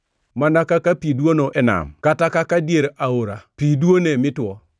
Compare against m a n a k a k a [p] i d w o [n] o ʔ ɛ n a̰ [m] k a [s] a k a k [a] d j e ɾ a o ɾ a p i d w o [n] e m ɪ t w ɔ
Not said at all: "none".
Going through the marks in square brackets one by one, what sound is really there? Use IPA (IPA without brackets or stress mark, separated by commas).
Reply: p, n, m, t, a, n